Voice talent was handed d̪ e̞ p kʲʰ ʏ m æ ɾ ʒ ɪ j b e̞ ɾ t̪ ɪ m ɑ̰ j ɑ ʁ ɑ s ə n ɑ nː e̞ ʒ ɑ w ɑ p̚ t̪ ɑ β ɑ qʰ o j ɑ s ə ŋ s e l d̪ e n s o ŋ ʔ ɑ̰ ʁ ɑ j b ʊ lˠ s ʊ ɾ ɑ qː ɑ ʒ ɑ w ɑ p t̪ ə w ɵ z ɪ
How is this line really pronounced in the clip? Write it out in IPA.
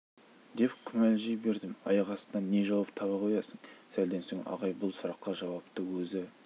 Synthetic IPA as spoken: d̪ e̞ p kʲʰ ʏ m æ l ʒ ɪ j b e̞ ɾ d̪ ɪ m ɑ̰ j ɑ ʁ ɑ s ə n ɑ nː e̞ ʒ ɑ w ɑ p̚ t̪ʰ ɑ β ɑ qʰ o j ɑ s ə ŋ s æ l d̪ e n s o ŋ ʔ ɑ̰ ʁ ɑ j b ʊ lˠ s ʊ ɾ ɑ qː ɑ ʒ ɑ w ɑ p t̪ ə w ɵ z ɪ